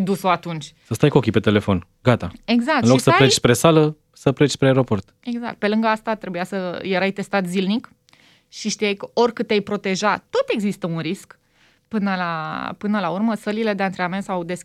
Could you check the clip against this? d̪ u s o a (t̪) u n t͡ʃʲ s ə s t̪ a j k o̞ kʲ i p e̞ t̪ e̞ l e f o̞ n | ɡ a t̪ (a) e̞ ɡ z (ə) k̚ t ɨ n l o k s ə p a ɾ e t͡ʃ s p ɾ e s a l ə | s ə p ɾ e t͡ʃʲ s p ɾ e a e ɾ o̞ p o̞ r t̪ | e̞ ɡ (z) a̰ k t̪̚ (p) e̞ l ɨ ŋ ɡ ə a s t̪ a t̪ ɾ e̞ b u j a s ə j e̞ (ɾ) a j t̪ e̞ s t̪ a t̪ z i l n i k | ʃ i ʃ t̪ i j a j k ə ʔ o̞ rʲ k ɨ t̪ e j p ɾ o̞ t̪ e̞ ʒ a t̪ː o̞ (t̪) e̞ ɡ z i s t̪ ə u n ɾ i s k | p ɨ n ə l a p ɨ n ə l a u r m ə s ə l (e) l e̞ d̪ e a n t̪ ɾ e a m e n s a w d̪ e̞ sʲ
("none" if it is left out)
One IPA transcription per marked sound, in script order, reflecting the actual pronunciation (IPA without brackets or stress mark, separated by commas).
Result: t̪, a, a, z, p, ɾ, t̪, i